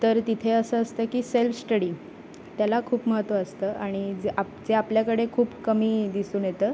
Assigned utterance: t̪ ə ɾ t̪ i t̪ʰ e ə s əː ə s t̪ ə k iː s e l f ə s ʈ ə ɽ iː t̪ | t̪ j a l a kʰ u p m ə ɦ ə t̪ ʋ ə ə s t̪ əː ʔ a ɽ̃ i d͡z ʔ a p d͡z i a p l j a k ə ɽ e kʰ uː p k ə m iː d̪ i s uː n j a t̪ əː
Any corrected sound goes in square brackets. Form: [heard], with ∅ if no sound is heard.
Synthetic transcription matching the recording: t̪ ə ɾ t̪ i t̪ʰ e ə s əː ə s t̪ ə k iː s e l f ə s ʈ ə ɽ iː [∅] | t̪ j a l a kʰ [uː] p m ə ɦ ə t̪ ʋ ə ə s t̪ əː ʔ a ɽ̃ i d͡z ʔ a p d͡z [e] a p l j a k ə ɽ e kʰ uː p k ə m iː d̪ i s uː n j [e] t̪ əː